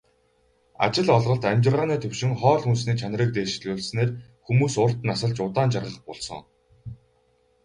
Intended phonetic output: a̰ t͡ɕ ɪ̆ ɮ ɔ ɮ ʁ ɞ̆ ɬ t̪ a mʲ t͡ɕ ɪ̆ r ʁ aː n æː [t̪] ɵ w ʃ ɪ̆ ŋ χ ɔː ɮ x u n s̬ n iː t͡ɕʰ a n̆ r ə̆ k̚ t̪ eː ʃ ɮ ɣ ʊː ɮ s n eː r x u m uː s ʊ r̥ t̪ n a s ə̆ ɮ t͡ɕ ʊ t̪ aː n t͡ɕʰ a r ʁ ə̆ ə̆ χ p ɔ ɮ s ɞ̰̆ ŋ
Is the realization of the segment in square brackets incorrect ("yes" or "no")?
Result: yes